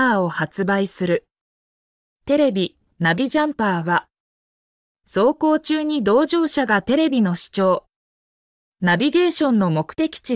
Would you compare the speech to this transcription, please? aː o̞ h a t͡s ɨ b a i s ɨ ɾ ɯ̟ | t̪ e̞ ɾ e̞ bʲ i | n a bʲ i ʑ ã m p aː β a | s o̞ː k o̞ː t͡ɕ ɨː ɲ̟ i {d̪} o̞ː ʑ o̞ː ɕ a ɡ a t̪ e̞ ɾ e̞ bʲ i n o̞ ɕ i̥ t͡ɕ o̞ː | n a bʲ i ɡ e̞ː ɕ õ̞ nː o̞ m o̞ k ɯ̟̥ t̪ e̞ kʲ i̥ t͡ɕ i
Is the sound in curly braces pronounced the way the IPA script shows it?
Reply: yes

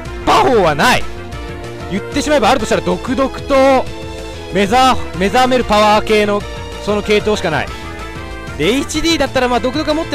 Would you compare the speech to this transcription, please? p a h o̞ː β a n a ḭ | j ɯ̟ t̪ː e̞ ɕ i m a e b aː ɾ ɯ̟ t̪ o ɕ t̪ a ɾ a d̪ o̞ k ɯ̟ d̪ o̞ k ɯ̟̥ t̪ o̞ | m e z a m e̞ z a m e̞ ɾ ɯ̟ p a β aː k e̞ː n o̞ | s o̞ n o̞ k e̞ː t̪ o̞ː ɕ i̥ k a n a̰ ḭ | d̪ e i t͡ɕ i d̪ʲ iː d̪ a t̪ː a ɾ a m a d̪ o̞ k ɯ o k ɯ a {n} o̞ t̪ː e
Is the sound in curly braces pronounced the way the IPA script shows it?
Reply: no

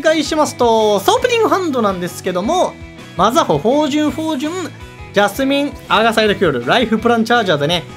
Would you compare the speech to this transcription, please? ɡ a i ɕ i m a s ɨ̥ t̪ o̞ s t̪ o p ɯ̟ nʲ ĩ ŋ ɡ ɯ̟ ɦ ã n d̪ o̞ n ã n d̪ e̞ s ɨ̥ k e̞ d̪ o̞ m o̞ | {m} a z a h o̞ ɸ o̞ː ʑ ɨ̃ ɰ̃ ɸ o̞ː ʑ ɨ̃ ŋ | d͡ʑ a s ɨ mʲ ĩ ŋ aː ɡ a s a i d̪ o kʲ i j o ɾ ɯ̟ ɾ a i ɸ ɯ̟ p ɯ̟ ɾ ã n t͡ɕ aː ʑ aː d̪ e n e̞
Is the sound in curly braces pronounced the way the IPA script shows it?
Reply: yes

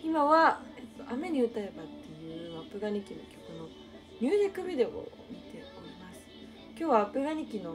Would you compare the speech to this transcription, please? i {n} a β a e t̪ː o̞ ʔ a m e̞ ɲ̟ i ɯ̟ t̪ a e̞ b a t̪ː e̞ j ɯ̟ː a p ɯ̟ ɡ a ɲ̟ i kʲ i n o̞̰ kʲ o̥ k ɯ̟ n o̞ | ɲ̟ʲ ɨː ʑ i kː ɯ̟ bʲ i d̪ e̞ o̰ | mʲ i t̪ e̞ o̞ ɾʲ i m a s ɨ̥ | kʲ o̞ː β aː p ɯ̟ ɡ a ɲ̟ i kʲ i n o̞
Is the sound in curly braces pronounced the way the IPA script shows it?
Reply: no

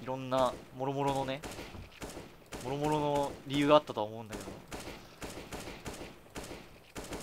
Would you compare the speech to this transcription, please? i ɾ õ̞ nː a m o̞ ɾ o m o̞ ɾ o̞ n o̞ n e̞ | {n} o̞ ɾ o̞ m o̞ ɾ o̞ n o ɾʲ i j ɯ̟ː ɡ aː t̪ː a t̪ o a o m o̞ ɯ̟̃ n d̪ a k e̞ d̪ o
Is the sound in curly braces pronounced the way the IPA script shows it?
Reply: no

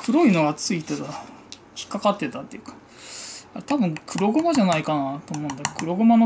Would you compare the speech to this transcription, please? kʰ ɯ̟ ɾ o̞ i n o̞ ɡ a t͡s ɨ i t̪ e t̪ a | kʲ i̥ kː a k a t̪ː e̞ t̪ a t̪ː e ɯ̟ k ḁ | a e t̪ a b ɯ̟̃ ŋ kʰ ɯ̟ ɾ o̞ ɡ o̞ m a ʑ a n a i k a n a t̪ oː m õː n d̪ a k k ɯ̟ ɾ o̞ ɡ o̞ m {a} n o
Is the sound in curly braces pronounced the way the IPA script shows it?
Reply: yes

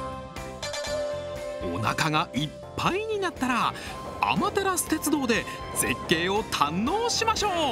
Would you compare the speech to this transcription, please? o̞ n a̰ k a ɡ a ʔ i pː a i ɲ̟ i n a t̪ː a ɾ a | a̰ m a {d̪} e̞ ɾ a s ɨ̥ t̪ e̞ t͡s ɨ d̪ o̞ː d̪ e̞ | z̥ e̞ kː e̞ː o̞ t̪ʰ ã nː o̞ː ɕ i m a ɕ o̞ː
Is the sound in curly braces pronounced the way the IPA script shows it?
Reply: no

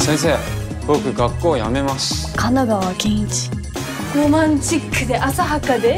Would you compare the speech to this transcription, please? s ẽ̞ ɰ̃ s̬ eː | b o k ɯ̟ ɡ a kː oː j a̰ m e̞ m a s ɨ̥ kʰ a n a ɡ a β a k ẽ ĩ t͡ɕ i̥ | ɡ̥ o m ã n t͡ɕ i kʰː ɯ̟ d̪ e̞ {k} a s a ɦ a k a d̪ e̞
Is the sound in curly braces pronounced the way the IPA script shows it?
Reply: no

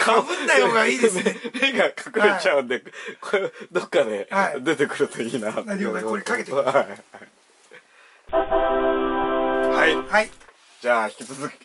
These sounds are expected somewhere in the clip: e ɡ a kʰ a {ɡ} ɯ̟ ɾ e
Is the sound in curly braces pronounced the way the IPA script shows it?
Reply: no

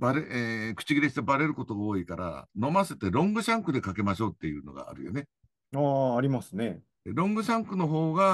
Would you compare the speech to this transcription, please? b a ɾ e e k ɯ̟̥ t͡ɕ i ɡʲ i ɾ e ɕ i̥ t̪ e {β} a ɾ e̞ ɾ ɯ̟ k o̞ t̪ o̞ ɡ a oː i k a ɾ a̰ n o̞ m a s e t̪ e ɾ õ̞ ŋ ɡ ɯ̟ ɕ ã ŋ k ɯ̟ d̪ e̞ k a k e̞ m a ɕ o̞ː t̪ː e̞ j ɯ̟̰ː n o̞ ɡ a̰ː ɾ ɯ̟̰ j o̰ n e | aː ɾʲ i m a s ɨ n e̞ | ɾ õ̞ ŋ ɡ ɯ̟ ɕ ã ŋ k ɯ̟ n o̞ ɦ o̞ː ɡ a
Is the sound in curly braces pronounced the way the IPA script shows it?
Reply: no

